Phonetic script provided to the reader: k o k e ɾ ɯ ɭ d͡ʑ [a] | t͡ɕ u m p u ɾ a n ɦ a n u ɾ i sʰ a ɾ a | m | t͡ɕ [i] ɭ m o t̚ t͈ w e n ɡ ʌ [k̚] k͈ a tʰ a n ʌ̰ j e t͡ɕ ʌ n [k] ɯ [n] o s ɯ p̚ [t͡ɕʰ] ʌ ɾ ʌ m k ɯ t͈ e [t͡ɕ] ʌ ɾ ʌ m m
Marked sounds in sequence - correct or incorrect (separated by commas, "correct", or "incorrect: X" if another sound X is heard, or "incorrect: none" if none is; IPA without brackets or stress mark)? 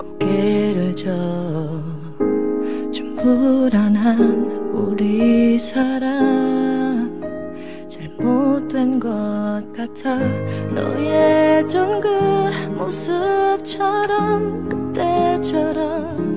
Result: incorrect: ʌ, incorrect: a, incorrect: t̚, incorrect: ɡ, incorrect: m, correct, incorrect: t͡ɕʰ